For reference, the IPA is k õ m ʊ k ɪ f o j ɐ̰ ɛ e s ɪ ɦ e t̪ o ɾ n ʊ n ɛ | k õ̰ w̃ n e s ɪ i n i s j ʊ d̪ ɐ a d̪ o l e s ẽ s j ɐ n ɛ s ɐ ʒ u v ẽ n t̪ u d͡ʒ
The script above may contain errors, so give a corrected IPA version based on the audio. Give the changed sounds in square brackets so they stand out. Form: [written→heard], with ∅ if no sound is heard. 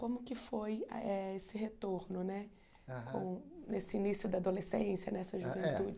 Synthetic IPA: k õ m ʊ k ɪ f o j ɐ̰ ɛ e s ɪ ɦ e t̪ o ɾ n ʊ n ɛ | k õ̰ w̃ n e s ɪ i n i s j ʊ d̪ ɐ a d̪ o l e s ẽ s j ɐ n ɛ s ɐ ʒ u v ẽ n t̪ u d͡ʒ